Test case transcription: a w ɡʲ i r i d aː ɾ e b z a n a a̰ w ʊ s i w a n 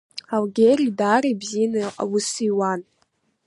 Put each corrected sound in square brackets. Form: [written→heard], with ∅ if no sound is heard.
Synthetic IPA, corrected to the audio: a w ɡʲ [i→e] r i d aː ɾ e b z [a→i] n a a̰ w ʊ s i w a n